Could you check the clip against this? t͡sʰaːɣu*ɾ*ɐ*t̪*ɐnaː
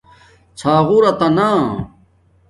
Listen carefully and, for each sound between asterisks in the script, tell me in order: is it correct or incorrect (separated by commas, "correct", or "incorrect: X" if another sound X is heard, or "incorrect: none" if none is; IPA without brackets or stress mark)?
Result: correct, correct